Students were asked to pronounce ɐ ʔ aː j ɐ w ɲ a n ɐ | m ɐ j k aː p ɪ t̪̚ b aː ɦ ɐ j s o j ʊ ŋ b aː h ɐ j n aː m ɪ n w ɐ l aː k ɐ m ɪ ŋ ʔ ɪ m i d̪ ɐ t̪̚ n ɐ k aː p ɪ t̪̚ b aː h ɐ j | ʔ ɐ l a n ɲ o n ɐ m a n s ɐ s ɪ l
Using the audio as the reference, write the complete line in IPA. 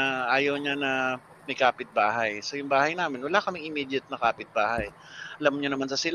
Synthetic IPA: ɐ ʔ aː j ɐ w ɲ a n ɐ | m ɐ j k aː p ɪ t̪̚ b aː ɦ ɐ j s o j ʊ ŋ b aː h ɐ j n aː m ɪ n w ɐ l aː k ɐ m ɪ ŋ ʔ ɪ m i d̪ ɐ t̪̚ n ɐ k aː p ɪ t̪̚ b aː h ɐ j | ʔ ɐ l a m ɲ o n ɐ m a n s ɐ s ɪ l